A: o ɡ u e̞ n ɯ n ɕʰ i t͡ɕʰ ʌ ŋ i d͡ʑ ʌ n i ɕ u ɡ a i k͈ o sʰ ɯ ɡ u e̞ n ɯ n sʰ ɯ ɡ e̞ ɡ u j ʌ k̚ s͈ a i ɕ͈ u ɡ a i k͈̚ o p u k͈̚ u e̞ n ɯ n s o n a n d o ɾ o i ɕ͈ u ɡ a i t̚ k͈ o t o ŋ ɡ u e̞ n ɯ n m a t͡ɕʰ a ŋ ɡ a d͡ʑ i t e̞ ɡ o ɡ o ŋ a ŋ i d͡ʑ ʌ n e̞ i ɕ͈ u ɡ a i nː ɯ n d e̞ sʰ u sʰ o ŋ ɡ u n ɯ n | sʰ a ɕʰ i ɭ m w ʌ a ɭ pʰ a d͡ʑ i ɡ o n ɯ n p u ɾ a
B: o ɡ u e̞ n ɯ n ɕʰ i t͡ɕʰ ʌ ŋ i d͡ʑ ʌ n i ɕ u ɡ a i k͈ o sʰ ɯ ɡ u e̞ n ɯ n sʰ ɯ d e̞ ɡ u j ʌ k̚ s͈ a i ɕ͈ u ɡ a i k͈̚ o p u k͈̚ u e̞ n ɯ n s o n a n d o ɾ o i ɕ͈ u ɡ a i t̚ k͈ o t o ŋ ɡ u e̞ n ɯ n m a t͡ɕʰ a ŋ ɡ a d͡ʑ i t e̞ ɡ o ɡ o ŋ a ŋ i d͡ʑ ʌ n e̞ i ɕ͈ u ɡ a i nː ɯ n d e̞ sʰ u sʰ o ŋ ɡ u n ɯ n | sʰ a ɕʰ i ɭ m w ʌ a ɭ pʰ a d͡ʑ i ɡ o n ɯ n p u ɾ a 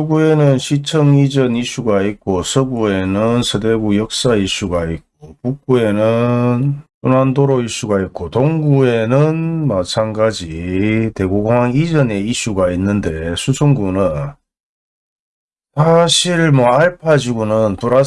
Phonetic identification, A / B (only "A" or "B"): B